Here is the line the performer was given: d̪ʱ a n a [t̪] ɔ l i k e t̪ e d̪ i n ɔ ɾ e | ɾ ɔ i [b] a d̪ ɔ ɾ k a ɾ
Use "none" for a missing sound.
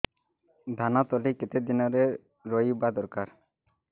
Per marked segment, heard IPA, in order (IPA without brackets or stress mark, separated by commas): t̪, b